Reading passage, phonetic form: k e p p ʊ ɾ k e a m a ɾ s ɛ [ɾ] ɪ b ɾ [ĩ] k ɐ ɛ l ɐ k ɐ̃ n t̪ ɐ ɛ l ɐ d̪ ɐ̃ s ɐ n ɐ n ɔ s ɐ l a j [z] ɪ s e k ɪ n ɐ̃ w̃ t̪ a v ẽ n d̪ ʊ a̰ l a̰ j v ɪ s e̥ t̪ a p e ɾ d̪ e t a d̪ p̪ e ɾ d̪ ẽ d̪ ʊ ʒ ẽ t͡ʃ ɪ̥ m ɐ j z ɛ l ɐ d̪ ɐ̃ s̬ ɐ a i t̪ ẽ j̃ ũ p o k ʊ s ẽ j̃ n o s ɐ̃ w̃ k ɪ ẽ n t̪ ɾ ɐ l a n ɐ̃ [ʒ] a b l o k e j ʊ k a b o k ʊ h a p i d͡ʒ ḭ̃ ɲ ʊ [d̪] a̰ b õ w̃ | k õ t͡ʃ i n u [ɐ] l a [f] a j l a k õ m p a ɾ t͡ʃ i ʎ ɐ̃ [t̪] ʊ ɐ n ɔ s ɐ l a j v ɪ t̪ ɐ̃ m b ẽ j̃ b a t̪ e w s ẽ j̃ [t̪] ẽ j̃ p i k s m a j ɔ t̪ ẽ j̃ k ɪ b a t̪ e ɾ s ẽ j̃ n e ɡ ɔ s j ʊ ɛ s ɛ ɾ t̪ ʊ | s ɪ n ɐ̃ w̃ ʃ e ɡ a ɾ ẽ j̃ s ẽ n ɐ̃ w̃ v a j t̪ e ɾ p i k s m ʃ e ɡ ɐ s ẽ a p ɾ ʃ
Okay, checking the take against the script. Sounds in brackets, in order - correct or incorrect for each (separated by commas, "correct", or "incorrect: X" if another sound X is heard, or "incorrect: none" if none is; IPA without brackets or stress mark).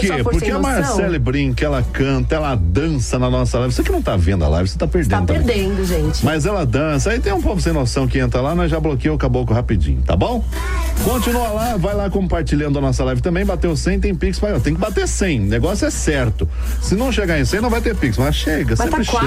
incorrect: l, correct, incorrect: v, correct, incorrect: t̪, correct, incorrect: v, incorrect: d̪, correct